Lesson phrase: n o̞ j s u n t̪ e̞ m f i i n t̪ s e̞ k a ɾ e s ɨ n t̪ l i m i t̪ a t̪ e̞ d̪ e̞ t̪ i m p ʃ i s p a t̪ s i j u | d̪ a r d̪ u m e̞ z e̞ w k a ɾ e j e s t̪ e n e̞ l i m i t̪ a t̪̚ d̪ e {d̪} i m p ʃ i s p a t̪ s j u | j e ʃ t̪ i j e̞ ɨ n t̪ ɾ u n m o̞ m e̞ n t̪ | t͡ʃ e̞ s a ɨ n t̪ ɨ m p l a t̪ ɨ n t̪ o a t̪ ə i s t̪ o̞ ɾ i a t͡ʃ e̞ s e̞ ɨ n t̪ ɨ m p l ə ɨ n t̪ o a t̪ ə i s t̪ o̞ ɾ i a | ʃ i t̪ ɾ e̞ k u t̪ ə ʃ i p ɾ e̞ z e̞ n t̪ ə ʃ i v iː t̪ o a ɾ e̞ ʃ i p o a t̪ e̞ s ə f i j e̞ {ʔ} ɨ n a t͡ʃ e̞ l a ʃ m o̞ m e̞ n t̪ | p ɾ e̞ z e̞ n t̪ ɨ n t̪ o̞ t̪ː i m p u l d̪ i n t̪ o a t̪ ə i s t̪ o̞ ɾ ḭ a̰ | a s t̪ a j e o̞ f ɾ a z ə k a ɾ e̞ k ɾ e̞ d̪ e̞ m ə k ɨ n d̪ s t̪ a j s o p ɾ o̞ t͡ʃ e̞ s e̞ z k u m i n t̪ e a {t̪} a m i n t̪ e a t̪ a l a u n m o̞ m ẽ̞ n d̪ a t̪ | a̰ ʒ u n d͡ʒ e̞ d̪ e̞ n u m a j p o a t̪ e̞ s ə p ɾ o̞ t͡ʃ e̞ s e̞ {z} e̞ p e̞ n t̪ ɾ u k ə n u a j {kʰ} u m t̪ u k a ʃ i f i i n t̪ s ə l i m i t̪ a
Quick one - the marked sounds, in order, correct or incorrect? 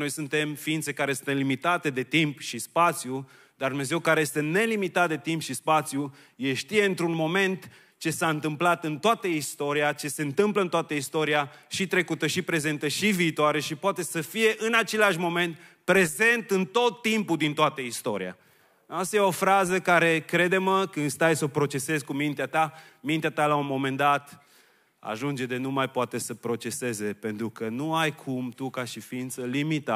incorrect: t̪, correct, correct, correct, correct

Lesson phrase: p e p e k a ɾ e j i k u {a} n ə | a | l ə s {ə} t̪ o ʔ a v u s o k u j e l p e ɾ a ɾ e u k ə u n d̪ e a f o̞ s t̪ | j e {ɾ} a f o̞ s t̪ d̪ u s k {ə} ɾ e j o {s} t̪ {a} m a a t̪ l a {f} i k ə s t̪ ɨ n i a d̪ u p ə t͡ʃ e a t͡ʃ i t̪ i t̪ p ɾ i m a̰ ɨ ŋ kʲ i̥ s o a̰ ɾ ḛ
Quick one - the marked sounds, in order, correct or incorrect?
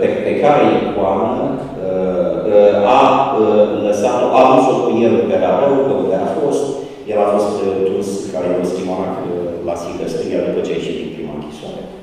correct, incorrect: a, incorrect: l, incorrect: a, correct, incorrect: i, incorrect: s

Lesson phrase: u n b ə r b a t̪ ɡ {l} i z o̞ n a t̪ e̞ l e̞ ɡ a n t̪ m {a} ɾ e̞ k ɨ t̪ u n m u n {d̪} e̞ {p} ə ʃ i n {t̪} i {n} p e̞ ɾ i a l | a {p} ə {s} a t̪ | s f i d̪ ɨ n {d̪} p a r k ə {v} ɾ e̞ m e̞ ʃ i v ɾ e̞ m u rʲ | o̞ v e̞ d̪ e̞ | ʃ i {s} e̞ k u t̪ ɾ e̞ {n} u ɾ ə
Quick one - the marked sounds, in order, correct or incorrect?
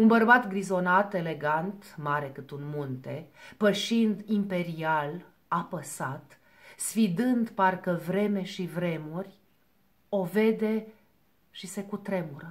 incorrect: ɾ, correct, incorrect: t̪, correct, incorrect: d̪, incorrect: m, correct, correct, correct, correct, correct, incorrect: m

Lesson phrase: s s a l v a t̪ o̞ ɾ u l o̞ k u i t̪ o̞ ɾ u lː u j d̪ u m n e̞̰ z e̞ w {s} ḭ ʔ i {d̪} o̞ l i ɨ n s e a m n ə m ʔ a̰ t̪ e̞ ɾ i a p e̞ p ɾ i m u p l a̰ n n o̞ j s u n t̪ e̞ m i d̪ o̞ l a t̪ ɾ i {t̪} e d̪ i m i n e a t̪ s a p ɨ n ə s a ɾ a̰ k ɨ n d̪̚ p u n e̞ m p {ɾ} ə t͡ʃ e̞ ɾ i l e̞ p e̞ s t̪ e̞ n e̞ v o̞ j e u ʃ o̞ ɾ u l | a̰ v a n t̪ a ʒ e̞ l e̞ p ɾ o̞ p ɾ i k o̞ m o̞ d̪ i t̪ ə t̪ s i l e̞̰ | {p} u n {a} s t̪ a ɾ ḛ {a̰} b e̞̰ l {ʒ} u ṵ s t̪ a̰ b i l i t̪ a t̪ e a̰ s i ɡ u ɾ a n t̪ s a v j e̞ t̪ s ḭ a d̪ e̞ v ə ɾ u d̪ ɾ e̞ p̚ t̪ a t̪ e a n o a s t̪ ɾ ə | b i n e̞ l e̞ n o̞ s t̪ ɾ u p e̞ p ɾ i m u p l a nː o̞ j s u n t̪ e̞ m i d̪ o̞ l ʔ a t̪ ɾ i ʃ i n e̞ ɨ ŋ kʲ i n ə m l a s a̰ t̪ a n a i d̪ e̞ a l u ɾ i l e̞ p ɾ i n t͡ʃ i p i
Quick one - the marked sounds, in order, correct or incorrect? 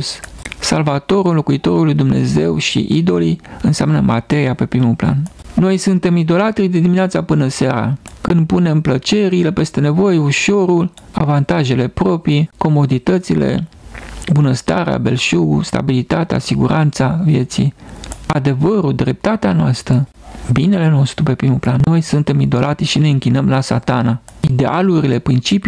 incorrect: ʃ, correct, incorrect: d̪, incorrect: l, incorrect: b, incorrect: ə, correct, incorrect: ʃ

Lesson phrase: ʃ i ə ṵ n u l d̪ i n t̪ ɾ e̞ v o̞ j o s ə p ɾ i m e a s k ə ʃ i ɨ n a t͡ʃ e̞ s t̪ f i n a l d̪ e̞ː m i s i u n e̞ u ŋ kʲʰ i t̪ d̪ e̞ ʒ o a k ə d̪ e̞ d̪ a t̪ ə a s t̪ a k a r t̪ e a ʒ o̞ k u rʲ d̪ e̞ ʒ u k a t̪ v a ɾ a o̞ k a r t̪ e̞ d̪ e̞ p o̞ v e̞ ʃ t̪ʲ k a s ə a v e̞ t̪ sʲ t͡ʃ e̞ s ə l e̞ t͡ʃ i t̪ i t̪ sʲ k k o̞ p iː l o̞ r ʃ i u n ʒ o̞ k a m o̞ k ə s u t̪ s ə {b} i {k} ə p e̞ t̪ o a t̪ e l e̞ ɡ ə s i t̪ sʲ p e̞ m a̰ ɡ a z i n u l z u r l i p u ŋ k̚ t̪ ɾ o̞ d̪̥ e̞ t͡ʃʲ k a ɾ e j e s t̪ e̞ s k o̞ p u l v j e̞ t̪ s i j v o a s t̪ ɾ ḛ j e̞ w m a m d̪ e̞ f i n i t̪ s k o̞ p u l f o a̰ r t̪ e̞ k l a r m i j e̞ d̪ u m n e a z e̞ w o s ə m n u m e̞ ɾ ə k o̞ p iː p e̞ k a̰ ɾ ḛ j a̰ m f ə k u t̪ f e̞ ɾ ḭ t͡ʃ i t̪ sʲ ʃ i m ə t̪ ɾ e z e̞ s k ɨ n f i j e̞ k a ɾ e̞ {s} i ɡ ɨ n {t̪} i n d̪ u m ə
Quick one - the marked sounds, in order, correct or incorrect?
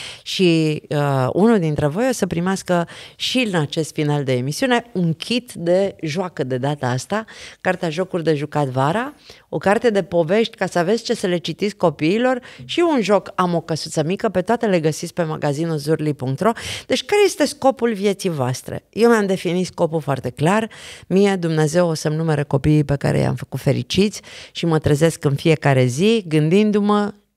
incorrect: m, correct, incorrect: z, incorrect: d̪

